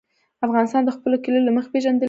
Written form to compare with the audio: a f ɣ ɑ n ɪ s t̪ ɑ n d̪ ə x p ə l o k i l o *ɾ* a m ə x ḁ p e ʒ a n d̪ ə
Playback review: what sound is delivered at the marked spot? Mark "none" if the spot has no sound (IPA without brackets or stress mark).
l